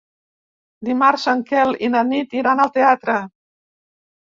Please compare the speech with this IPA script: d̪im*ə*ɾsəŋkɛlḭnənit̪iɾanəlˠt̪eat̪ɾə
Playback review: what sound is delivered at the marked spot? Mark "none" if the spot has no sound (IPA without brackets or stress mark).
a